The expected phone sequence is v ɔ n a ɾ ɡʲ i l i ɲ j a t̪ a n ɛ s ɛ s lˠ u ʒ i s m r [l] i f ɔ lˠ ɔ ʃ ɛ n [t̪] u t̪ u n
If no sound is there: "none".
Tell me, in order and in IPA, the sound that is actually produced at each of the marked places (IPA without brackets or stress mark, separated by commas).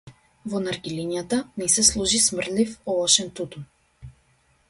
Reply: l, t̪